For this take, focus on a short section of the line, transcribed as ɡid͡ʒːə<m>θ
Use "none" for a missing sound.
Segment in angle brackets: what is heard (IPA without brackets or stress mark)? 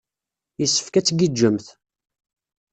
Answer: m